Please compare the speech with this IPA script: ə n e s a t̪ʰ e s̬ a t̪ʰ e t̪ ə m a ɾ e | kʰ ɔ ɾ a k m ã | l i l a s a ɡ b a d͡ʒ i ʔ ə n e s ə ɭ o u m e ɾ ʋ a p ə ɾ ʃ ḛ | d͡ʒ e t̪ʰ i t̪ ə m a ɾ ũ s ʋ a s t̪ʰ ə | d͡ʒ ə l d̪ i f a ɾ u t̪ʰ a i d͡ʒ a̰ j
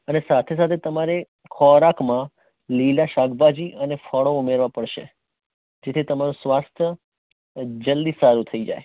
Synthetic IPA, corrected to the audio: ə n e s a t̪ʰ e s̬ a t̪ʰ e t̪ ə m a ɾ e | kʰ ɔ ɾ a k m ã | l i l a ʃ a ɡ b a d͡ʒ i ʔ ə n e f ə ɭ o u m e ɾ ʋ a p ə ɽ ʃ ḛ | d͡ʒ e t̪ʰ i t̪ ə m a ɾ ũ s ʋ a s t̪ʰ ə | d͡ʒ ə l d̪ i s a ɾ u t̪ʰ ə i d͡ʒ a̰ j